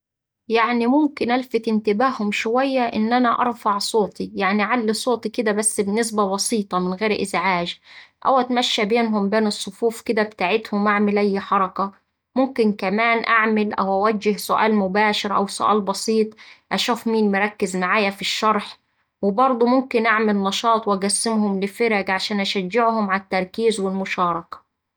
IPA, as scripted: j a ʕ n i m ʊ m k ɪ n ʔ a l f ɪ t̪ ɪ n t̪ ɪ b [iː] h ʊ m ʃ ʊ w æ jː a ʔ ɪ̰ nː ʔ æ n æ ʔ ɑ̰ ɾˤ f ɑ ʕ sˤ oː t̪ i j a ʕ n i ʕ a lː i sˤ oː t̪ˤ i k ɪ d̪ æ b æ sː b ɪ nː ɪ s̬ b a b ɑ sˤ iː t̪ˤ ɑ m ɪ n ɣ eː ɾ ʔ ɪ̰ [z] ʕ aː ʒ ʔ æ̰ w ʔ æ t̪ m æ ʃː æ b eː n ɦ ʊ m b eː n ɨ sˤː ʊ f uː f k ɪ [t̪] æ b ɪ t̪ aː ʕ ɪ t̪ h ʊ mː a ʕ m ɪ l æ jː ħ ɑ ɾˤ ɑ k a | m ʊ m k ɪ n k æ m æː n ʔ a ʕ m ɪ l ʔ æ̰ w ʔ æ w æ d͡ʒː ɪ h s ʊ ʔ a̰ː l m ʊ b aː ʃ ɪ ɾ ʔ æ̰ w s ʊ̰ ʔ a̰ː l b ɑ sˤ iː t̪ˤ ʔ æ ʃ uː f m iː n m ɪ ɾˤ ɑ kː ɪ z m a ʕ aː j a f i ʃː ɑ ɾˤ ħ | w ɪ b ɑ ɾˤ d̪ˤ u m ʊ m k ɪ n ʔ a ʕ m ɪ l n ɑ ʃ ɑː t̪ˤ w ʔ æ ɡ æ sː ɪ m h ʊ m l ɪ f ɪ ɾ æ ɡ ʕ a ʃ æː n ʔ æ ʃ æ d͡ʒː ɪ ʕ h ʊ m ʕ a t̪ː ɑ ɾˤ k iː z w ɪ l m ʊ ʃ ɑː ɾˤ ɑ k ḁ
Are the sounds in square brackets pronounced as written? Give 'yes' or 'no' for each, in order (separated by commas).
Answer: no, yes, no